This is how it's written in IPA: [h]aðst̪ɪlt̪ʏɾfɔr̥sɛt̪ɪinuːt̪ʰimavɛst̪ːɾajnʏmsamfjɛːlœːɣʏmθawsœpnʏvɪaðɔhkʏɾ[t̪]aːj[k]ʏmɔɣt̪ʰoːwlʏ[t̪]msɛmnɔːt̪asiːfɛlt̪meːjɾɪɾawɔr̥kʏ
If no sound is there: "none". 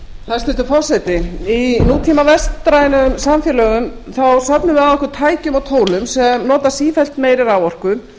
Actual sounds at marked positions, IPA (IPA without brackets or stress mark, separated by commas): θ, t̪ʰ, c, none